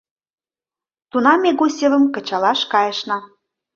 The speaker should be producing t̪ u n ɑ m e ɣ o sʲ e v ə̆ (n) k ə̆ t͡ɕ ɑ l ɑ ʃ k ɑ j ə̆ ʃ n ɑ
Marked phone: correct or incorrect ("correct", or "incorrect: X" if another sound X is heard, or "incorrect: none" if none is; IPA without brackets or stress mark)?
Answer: incorrect: m